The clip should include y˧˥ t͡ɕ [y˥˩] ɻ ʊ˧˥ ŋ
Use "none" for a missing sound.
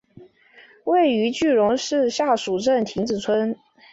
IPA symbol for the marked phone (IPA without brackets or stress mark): y˥˩